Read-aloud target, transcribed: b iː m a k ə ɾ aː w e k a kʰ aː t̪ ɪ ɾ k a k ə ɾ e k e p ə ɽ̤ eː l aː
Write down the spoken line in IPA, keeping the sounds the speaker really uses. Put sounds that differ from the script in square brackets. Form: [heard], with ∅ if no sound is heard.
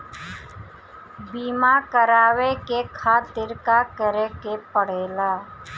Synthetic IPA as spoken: b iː m a k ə ɾ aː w e k [e] kʰ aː t̪ ɪ ɾ k a k ə ɾ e k e p ə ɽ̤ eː l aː